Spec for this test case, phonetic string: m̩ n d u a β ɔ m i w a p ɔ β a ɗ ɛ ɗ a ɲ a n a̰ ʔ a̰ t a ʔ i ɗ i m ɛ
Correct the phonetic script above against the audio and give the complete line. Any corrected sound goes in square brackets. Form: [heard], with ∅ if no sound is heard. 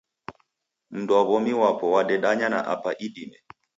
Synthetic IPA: m̩ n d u a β ɔ m i w a p ɔ [w] a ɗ ɛ ɗ a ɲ a n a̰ ʔ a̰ [p] a ʔ i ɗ i m ɛ